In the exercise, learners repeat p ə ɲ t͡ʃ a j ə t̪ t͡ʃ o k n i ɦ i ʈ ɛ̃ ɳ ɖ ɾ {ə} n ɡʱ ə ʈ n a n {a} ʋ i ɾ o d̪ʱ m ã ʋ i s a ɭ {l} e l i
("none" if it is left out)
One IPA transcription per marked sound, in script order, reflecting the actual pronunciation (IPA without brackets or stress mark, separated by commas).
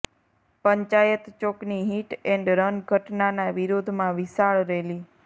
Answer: ə, a, ɾ